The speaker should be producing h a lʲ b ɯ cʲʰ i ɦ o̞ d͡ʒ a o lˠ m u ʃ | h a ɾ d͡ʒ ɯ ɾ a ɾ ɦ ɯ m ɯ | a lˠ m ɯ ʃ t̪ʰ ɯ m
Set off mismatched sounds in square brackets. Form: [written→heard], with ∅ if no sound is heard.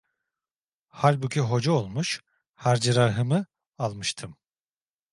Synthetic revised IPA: h a lʲ b [ɯ→u] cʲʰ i ɦ o̞ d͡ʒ a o lˠ m u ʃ | h a ɾ d͡ʒ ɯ ɾ a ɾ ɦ ɯ m ɯ | a lˠ m ɯ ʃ t̪ʰ ɯ m